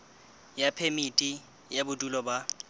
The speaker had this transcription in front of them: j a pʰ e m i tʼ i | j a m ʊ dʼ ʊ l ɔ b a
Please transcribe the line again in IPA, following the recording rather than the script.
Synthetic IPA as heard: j a pʰ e m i tʼ i | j a b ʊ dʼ u l ɔ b a